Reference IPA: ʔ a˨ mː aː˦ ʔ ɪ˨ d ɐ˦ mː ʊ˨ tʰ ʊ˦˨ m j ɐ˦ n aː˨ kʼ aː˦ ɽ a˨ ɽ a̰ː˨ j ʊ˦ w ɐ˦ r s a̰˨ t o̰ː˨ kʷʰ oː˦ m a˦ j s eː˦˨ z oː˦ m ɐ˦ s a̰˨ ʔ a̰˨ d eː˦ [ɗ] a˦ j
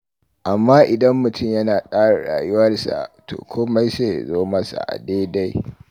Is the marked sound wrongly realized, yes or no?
yes